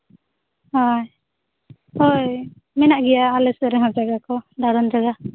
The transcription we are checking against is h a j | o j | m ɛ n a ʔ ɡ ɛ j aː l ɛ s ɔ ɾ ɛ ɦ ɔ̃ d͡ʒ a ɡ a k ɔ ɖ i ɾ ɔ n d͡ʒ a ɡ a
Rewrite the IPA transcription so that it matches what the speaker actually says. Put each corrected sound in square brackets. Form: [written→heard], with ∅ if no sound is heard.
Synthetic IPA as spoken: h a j | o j | m ɛ n a ʔ ɡ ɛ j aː l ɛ s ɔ ɾ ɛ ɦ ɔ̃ d͡ʒ a ɡ a k ɔ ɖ [i→a] ɾ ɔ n d͡ʒ a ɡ a